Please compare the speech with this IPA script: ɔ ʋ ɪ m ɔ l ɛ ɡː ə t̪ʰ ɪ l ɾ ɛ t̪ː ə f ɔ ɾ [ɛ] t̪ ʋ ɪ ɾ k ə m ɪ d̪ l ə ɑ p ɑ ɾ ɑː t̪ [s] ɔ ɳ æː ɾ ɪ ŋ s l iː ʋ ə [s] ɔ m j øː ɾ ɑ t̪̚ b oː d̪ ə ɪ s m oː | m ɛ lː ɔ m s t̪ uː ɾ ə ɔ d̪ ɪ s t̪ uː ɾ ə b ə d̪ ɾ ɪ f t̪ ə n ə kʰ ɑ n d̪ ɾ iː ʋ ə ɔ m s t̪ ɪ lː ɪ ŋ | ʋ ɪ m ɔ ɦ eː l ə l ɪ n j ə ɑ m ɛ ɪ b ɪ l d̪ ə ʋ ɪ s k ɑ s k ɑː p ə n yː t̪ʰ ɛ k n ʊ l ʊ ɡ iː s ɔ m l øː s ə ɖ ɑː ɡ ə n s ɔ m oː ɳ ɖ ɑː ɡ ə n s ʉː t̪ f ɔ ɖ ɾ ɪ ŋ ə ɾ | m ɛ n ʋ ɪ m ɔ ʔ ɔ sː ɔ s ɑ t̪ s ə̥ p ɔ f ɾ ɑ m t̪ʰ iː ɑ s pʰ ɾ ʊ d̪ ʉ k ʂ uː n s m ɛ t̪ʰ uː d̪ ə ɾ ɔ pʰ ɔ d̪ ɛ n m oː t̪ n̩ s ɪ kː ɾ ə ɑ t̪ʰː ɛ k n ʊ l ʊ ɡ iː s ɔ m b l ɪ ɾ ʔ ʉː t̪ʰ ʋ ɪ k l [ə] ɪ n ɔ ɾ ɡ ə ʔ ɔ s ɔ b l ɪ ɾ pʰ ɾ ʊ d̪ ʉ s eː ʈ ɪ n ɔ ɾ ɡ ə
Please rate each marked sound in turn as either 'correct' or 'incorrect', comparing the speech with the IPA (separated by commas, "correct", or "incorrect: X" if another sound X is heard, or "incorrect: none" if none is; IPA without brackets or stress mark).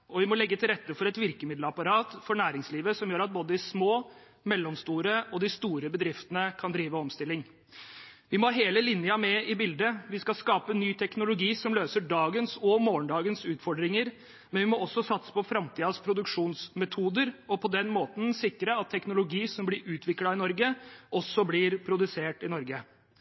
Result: correct, incorrect: f, correct, incorrect: ɑ